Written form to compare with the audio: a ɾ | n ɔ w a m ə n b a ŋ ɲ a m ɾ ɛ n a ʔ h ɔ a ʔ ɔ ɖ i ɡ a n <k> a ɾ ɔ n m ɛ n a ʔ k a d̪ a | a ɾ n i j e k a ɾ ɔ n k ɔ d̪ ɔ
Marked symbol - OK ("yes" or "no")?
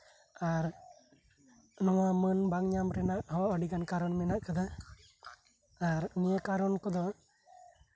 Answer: yes